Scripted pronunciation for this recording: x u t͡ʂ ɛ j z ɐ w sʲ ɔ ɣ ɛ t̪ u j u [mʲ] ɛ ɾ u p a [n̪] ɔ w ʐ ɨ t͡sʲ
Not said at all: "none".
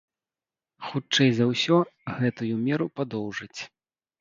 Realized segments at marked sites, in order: mʲ, d̪

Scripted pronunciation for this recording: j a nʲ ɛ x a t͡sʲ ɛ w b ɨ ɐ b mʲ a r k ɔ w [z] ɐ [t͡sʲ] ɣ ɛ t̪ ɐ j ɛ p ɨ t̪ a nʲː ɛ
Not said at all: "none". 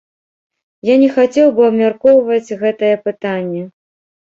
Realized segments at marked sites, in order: v, t͡sʲ

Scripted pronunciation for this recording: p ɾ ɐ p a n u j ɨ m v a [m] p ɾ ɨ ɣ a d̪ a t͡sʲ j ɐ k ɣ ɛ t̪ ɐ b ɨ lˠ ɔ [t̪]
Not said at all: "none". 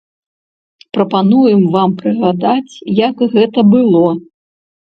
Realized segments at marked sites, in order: m, none

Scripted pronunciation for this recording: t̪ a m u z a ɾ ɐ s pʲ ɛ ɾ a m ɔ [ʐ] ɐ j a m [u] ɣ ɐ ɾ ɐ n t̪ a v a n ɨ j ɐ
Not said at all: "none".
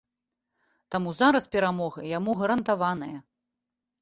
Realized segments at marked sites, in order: ɣ, u

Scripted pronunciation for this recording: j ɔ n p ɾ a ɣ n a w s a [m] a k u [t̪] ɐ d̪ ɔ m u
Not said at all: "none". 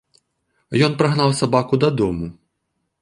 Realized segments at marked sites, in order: b, d̪

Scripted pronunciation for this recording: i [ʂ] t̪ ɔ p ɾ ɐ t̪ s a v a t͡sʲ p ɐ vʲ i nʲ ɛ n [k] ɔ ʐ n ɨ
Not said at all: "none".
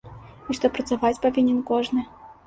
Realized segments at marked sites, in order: ʂ, k

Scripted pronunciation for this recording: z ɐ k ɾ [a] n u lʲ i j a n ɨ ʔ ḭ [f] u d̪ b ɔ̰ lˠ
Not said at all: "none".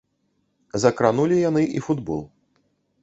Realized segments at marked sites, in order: a, f

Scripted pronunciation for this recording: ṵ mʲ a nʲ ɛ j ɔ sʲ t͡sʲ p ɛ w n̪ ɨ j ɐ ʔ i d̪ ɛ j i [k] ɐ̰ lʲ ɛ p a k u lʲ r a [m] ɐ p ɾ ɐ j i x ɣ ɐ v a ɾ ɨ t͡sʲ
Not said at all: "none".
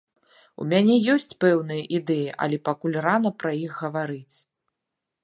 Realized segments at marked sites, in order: ʔ, n

